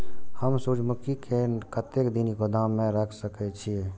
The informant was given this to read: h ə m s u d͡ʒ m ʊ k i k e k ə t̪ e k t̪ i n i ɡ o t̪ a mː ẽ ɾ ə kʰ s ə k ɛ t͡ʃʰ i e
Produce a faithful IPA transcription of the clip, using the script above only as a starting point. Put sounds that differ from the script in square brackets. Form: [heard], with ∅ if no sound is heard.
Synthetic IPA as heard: h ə m s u d͡ʒ m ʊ k i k e k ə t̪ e k [d̪] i n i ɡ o [d̪] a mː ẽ ɾ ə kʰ s ə k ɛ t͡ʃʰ i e

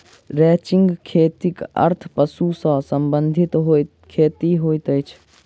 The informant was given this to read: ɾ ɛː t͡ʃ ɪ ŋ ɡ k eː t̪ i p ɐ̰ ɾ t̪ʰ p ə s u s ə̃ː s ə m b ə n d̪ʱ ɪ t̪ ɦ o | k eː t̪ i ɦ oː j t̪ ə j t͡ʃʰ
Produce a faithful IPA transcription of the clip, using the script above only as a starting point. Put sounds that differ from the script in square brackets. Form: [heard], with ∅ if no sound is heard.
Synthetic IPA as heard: ɾ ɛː t͡ʃ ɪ ŋ ɡ [kʰ] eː t̪ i [k] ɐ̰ ɾ t̪ʰ p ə s u s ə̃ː s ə m b ə n d̪ʱ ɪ t̪ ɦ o | [kʰ] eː t̪ i ɦ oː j t̪ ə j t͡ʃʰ

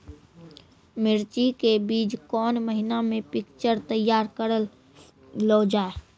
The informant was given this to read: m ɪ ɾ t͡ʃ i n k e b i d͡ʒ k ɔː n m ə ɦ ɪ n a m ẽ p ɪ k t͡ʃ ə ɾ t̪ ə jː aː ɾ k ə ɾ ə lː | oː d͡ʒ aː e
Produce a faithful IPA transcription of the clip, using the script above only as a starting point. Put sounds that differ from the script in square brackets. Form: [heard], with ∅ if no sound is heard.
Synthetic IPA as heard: m ɪ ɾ t͡ʃ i [∅] k e b [iː] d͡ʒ k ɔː n m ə ɦ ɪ n a m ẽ p ɪ k t͡ʃ ə ɾ t̪ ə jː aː ɾ k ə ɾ ə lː | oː d͡ʒ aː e

